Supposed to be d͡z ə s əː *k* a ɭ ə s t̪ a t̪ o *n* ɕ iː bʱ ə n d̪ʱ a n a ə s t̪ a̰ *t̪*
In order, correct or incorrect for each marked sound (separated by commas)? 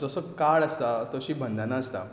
correct, incorrect, incorrect